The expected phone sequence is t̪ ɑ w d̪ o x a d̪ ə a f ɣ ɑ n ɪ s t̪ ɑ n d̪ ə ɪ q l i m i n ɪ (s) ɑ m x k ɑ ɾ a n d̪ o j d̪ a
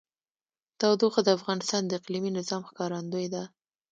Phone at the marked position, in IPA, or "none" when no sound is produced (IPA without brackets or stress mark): z